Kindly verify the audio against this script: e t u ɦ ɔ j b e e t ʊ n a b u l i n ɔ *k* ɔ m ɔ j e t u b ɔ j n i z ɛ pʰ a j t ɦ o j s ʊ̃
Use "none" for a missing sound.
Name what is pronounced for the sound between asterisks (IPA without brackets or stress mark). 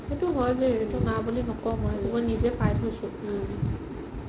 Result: k